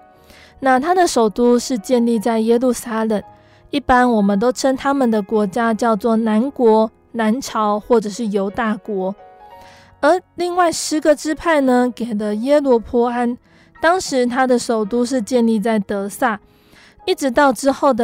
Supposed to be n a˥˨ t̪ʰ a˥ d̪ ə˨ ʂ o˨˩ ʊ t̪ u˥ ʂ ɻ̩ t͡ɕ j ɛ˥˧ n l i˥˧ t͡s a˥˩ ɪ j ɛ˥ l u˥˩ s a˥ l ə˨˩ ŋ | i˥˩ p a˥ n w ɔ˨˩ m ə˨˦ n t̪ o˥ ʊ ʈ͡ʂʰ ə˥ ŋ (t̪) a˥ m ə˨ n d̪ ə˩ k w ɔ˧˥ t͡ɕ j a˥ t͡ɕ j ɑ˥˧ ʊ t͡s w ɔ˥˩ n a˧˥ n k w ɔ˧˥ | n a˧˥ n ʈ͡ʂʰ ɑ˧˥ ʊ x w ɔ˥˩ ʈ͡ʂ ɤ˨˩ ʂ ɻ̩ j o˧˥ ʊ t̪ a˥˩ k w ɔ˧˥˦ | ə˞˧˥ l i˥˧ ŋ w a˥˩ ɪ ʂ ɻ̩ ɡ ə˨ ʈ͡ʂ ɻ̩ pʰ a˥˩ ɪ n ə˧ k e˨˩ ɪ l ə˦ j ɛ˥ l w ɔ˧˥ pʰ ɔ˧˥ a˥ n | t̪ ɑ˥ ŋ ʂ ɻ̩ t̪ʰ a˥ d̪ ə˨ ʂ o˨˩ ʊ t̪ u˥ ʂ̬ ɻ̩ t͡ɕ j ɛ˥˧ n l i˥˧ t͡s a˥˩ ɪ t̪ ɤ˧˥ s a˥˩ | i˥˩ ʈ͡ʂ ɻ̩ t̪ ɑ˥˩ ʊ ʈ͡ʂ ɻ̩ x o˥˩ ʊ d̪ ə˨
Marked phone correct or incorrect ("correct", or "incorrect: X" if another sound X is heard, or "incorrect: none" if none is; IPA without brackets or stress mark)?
incorrect: t̪ʰ